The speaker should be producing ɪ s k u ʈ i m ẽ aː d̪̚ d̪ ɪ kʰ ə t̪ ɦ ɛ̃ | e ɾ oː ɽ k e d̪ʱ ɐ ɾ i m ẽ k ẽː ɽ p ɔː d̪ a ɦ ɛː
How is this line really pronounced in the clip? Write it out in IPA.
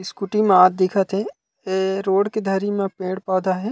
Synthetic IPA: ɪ s k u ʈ i m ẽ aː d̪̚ d̪ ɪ kʰ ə t̪ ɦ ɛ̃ | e ɾ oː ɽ k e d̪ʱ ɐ ɾ i m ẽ p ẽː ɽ p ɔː d̪ a ɦ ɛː